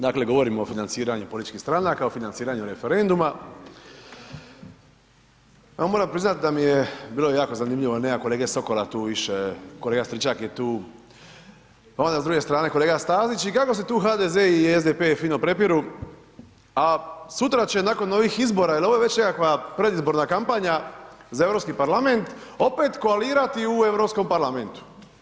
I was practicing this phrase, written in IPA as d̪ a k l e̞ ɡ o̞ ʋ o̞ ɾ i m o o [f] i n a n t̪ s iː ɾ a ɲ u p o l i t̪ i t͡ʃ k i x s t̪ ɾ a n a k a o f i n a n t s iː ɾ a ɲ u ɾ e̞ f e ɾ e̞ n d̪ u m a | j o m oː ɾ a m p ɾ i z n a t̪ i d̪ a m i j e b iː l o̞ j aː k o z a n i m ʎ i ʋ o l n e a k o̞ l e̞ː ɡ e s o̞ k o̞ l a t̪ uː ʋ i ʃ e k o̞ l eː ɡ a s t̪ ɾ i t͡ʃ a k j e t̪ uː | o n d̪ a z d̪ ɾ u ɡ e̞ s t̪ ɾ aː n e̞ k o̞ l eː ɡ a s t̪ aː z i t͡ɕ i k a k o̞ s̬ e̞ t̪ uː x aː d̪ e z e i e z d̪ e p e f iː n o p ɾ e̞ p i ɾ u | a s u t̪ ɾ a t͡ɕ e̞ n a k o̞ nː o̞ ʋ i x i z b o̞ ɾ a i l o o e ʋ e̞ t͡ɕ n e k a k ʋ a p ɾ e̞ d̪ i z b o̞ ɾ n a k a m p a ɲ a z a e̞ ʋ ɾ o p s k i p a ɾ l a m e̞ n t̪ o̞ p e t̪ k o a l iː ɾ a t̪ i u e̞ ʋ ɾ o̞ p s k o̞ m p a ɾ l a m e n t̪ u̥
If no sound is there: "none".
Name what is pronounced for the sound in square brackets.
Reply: f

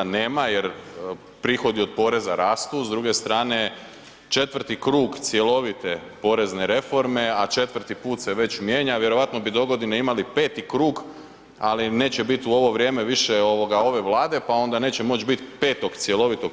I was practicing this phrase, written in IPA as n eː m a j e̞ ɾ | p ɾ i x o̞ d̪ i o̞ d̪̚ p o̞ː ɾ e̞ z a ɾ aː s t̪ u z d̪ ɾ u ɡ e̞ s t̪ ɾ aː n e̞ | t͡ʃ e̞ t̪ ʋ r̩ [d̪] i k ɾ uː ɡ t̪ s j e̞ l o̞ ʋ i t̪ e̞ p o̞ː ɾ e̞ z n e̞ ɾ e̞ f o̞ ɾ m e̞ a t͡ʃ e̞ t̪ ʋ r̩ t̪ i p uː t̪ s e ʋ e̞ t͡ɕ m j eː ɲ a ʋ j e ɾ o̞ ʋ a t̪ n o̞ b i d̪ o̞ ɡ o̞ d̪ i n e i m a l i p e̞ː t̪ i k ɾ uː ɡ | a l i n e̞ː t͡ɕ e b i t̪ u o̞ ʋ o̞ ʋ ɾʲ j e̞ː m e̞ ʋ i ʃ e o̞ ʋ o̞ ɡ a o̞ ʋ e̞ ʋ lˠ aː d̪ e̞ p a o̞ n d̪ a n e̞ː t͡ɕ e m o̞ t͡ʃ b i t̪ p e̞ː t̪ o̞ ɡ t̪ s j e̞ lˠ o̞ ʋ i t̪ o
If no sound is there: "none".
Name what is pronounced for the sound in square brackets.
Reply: t̪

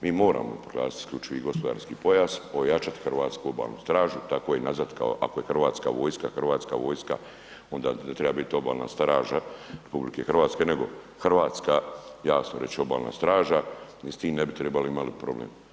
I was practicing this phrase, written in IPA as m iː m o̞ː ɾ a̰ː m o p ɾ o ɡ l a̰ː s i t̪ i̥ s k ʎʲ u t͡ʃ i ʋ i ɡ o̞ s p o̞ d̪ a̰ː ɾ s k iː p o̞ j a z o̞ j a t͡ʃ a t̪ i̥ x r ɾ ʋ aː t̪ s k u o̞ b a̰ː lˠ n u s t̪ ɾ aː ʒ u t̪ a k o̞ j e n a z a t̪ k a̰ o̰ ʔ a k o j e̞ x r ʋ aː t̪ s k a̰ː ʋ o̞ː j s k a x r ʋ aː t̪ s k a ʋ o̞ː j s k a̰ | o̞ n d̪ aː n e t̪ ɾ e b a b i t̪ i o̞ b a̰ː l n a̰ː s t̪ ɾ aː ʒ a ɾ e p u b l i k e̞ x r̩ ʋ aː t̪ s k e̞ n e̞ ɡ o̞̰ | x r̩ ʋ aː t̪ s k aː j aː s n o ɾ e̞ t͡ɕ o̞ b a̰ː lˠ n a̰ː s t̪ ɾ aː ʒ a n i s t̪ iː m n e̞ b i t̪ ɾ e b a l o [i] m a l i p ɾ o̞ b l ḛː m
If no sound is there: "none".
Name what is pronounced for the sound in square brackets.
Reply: i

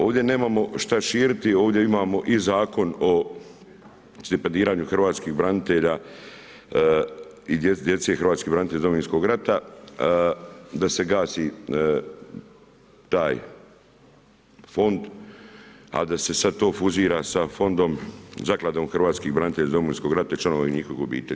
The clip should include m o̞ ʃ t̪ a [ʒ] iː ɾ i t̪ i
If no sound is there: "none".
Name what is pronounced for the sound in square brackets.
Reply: ʃ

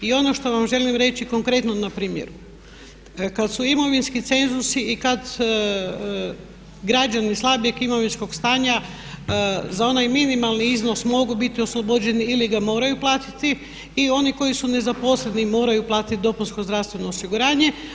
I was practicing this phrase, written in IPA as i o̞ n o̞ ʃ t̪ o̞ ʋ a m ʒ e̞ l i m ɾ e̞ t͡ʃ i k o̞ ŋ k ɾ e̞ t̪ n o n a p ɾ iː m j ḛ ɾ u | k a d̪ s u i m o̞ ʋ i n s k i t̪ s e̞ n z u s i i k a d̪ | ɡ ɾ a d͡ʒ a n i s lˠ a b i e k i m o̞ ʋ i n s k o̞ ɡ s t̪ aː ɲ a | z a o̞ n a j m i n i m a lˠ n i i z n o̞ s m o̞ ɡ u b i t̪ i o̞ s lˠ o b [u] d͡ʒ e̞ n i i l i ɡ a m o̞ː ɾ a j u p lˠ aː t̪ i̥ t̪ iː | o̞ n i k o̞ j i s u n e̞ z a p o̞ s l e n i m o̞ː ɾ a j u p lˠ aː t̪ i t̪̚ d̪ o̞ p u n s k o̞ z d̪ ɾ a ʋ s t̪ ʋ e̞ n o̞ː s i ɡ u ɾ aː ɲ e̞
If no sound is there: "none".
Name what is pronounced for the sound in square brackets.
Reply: o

